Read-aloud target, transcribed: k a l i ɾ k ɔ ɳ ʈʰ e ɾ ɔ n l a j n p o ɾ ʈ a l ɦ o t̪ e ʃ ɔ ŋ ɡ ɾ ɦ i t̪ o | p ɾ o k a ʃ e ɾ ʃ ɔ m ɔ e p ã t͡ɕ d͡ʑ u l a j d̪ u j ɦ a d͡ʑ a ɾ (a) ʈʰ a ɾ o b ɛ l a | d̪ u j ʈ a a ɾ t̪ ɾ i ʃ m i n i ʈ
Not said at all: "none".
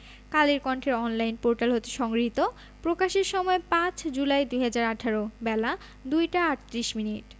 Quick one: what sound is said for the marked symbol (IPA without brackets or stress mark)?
a